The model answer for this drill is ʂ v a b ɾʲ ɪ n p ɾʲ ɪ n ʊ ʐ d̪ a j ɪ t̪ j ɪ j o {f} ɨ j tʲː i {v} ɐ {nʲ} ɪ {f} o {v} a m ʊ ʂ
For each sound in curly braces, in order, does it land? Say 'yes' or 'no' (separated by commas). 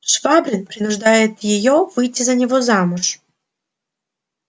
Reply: no, no, yes, no, no